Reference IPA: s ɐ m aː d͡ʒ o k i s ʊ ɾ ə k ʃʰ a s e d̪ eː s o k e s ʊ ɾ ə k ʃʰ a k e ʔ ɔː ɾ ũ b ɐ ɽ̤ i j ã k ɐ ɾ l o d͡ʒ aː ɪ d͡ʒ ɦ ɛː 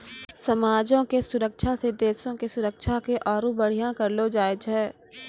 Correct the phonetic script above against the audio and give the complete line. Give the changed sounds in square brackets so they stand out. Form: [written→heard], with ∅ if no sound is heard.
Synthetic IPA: s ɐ m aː d͡ʒ [o→õ] k [i→e] s ʊ ɾ ə k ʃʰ a s e d̪ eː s [o→õ] k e s ʊ ɾ ə k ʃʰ a k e ʔ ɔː ɾ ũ b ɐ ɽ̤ i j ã k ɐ ɾ l o d͡ʒ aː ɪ d͡ʒ ɦ ɛː